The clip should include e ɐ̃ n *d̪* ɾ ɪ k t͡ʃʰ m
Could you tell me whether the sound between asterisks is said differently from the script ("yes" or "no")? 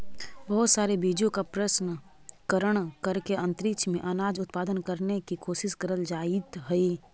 yes